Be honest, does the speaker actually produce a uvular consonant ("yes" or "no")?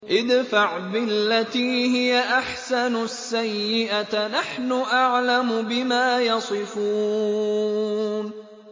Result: no